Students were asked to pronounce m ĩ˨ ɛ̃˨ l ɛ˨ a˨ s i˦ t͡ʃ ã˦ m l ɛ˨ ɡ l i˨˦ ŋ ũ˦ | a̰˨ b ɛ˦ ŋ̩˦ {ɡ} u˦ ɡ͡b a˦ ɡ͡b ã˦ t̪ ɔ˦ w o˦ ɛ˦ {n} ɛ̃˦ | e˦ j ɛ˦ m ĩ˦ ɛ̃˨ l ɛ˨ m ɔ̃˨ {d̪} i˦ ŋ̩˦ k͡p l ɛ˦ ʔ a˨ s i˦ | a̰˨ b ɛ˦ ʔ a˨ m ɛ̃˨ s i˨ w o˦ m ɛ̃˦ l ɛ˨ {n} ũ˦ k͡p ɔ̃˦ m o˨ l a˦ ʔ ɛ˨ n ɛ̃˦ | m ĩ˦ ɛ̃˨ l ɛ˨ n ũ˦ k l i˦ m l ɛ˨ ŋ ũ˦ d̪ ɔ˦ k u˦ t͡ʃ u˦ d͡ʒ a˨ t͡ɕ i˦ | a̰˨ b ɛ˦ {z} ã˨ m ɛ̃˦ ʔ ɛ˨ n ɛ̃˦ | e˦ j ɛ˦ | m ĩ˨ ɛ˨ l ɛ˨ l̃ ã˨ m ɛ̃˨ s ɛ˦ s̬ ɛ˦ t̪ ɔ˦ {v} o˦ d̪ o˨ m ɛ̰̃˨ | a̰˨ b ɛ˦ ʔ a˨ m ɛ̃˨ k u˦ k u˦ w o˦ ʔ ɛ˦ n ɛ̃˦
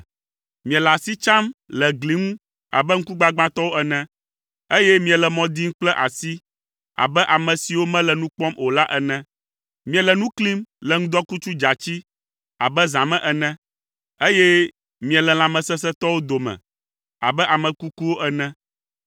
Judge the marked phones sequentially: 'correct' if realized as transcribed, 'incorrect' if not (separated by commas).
incorrect, correct, correct, correct, correct, incorrect